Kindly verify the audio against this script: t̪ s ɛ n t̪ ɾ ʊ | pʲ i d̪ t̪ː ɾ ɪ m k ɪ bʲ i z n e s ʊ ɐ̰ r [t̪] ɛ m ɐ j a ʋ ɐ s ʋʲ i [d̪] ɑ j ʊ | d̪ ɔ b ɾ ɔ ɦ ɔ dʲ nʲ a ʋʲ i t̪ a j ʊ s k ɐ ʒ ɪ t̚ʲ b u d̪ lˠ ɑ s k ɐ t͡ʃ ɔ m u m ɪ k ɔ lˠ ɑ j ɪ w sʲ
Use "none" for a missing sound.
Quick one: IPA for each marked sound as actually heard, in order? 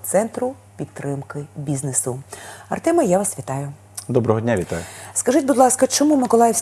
t̪, t̪

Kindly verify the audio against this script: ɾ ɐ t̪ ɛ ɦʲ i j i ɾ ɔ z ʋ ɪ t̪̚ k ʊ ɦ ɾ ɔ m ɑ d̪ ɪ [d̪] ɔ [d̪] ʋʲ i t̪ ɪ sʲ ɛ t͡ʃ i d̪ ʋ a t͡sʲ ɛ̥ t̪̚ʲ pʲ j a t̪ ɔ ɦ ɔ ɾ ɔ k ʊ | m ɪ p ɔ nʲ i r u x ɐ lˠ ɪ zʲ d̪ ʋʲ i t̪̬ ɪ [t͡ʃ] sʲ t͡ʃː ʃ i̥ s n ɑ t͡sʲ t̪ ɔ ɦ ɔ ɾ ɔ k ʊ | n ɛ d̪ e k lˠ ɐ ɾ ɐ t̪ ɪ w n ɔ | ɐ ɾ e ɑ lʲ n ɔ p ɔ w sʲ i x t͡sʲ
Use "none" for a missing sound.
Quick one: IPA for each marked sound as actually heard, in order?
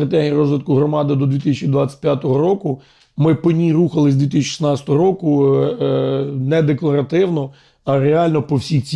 d̪, d̪, none

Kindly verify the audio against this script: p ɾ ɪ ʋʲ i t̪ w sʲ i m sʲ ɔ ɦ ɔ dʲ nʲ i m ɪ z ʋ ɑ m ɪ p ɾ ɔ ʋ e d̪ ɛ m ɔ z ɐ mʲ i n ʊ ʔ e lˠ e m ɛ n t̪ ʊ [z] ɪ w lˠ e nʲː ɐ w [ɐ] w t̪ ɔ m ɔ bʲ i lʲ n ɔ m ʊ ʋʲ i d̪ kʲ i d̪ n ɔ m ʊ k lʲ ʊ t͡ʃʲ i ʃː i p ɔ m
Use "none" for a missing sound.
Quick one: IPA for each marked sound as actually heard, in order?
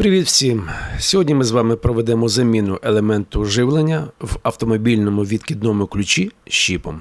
ʒ, ɐ

